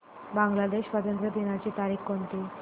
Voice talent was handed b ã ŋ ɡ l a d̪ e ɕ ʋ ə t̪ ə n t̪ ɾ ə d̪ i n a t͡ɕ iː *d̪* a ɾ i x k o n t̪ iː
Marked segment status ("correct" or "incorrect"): incorrect